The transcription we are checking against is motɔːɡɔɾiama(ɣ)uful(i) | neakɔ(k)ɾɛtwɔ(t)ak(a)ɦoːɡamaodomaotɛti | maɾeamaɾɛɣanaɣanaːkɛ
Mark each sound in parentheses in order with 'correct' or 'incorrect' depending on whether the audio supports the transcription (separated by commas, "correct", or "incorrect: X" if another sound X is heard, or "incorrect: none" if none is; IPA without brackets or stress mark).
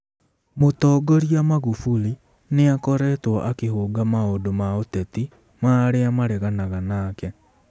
correct, correct, incorrect: none, incorrect: ʔ, incorrect: e